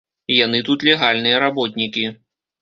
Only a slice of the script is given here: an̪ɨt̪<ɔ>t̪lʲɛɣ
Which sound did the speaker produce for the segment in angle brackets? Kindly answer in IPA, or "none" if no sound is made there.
u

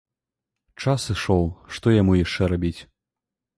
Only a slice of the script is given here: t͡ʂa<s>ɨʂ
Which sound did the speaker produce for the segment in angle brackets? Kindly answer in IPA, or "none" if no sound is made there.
s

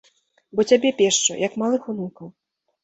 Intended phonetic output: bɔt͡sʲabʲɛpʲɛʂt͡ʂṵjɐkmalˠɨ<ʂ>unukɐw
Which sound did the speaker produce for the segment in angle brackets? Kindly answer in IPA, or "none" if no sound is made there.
x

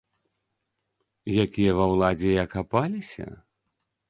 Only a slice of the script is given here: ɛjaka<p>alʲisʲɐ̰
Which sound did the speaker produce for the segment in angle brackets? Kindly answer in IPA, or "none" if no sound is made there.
p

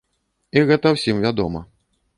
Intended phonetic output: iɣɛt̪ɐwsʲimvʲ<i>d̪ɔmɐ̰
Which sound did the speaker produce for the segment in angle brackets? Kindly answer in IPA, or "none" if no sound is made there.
a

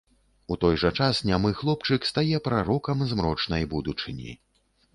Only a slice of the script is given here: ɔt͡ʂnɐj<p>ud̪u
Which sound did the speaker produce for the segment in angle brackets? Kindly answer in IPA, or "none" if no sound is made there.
b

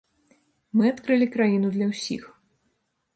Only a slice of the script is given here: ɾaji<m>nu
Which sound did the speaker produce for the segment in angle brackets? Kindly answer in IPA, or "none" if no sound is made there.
none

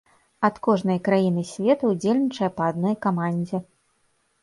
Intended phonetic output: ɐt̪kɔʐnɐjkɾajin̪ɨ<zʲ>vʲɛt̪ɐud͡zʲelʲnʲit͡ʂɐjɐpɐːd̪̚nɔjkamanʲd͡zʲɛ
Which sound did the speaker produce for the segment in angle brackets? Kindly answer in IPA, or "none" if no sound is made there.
sʲ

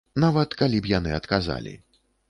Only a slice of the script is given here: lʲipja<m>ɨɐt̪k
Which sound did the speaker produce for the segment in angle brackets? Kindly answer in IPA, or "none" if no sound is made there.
n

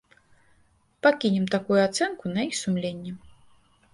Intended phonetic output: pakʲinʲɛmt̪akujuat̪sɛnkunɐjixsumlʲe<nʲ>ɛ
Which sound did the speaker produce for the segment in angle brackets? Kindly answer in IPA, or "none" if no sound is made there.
nʲː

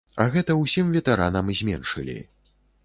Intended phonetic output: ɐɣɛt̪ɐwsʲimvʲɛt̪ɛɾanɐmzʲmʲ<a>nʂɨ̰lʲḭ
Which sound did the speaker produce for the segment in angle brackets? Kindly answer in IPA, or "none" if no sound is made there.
ɛ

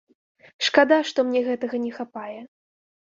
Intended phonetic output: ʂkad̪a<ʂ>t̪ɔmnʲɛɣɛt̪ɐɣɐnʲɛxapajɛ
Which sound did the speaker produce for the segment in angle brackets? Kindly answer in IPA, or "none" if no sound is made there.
ʂ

